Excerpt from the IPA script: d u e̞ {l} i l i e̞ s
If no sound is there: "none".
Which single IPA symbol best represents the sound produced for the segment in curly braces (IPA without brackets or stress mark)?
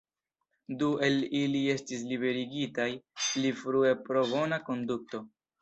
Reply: l